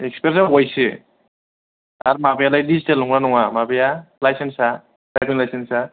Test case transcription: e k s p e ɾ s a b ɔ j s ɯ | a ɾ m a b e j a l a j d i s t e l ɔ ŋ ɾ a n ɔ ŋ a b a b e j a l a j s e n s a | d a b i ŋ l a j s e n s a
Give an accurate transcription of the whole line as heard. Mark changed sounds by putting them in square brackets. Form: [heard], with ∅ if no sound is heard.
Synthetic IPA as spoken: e k s p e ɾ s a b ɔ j s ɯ | a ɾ m a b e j a l a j d i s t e l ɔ ŋ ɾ a n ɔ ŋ a [m] a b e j a l a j s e n s a | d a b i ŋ l a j s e n s a